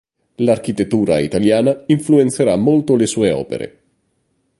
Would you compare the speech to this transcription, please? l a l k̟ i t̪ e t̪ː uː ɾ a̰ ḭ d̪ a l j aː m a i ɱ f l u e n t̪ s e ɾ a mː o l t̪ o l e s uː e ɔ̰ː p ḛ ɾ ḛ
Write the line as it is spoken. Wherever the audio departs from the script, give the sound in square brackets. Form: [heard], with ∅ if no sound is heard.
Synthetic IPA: l a [r] k̟ i t̪ e t̪ː uː ɾ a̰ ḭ [t̪] a l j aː [n] a i ɱ f l u e n t̪ s e ɾ a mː o l t̪ o l e s uː e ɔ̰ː p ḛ ɾ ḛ